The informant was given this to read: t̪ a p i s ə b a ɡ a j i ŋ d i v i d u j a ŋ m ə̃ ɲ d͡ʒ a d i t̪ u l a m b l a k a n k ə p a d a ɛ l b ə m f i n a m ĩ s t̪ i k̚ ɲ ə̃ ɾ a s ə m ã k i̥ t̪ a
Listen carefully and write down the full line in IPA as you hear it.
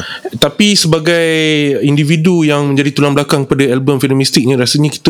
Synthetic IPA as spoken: t̪ a p i s ə b a ɡ a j i n d i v i d u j a ŋ m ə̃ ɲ d͡ʒ a d i t̪ u l a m b l a k a ŋ k ə p a d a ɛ l b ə m f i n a m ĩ s t̪ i k̚ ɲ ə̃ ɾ a s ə ɲ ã k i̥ t̪ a